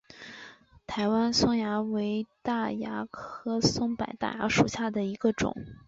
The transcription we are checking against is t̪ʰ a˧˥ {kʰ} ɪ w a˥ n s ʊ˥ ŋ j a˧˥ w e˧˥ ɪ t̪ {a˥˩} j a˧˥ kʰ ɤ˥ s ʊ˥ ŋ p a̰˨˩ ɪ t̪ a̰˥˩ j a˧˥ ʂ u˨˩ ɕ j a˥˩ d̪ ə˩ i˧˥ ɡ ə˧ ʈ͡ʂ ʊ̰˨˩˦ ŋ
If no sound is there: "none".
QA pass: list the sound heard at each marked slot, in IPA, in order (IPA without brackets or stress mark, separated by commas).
none, a˥˩